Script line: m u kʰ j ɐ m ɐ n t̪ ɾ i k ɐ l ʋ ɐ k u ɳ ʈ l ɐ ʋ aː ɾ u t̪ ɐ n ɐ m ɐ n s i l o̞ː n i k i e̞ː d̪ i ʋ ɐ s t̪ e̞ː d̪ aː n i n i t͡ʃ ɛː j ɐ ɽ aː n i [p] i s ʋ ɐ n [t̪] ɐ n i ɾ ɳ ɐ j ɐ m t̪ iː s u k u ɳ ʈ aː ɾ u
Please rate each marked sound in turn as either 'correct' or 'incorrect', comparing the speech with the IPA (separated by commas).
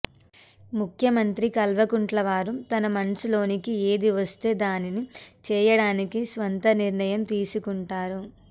incorrect, correct